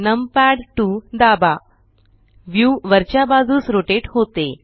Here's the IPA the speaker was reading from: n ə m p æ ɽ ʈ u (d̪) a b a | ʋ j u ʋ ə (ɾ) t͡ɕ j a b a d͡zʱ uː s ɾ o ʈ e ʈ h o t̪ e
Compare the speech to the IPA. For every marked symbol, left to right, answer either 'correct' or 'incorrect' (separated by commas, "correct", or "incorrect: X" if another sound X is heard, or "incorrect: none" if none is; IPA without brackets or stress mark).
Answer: correct, correct